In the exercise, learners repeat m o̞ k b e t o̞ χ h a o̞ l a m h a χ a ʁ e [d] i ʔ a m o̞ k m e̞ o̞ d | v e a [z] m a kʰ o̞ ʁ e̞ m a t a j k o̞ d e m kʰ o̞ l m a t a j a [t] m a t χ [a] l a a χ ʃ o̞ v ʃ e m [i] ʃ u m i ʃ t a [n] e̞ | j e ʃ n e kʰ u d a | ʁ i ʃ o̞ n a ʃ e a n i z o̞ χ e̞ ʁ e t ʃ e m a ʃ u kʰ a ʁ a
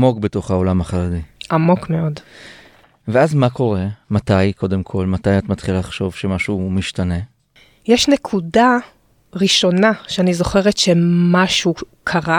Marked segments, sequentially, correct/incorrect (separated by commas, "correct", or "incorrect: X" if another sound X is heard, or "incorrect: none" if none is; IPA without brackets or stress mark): correct, correct, correct, incorrect: i, incorrect: a, correct